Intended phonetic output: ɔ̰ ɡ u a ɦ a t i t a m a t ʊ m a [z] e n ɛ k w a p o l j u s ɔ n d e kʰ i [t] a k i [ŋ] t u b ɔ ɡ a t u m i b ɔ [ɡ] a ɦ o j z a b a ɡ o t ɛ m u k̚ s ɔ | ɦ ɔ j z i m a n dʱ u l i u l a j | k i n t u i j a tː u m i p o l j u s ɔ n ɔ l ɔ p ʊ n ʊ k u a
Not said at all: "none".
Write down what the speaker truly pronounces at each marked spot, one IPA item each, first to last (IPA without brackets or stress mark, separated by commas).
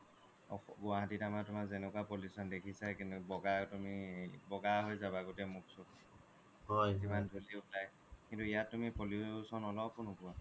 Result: z, s, n, ɡ